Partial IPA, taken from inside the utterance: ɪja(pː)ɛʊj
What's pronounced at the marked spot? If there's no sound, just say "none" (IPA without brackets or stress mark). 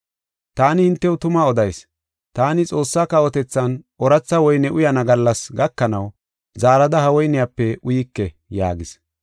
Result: pː